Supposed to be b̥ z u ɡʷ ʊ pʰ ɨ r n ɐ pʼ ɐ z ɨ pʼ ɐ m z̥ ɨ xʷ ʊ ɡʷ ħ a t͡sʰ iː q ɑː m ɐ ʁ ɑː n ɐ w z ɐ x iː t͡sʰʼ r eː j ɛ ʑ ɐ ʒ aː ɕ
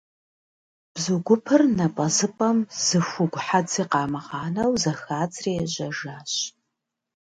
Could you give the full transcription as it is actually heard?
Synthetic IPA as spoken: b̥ z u ɡʷ ʊ pʰ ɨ r n ɐ pʼ ɐ z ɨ pʼ ɐ m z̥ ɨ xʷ ʊ ɡʷ ħ a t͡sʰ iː q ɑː m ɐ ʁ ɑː n ɐ w z ɐ x aː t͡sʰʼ r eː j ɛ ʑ ɐ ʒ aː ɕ